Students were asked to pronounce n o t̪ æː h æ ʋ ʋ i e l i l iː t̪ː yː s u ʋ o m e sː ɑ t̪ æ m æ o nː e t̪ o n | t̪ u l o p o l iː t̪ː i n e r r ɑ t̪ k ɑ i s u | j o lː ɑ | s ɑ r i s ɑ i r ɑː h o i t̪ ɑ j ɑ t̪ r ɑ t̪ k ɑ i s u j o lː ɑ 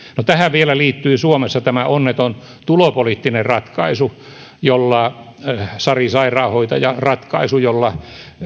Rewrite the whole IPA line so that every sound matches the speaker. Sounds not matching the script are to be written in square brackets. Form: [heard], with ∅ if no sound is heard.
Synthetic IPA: n o t̪ [æ] h æ ʋ ʋ i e l [æ] l iː t̪ː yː s u [∅] o m e sː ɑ t̪ æ m æ o nː e t̪ o n | t̪ u l o p o l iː t̪ː i n e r r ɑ t̪ k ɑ i s u | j o lː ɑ | s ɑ r i s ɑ i r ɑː h o i t̪ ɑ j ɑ [∅] r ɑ t̪ k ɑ i s u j o lː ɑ